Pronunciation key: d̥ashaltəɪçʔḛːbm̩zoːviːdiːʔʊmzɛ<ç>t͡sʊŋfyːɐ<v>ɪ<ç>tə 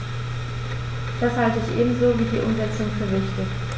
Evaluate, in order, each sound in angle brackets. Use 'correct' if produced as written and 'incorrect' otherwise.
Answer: incorrect: none, correct, correct

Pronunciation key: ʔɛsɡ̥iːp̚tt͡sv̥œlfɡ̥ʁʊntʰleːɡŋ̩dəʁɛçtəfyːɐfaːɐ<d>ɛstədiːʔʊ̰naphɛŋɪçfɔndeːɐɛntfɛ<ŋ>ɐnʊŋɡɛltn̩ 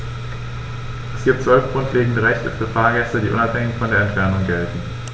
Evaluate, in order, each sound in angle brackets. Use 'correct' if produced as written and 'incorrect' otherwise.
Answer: incorrect: ɡ, incorrect: none

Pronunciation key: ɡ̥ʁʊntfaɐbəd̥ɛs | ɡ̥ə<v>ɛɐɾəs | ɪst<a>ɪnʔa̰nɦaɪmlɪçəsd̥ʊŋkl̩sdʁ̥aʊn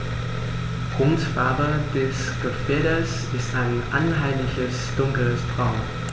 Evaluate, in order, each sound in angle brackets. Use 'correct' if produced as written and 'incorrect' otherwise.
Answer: incorrect: f, correct

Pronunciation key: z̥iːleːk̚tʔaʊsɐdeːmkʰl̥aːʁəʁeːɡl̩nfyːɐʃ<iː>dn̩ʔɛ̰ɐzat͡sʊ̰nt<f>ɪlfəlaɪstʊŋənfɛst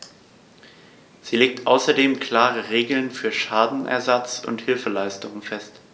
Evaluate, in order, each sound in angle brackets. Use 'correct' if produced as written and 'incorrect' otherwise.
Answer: incorrect: aː, incorrect: h

